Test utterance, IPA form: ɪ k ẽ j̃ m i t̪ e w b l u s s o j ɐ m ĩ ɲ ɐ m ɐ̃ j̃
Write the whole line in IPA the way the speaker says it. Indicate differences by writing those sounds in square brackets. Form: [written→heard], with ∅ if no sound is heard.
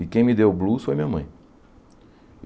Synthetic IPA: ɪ k ẽ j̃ m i [t̪→d̪] e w b l u s [s→f] o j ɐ m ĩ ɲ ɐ m ɐ̃ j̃